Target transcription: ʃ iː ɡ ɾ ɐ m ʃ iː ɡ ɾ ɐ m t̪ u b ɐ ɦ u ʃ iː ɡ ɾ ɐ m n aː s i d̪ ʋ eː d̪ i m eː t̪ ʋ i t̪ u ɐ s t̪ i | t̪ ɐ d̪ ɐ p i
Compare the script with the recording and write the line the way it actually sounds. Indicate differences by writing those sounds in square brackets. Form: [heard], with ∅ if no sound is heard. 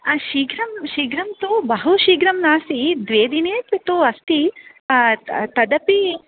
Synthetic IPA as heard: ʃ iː ɡ ɾ ɐ m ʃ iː ɡ ɾ ɐ m t̪ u b ɐ ɦ u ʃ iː ɡ ɾ ɐ m n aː s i d̪ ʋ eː d̪ i [n] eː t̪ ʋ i t̪ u ɐ s t̪ i | t̪ ɐ d̪ ɐ p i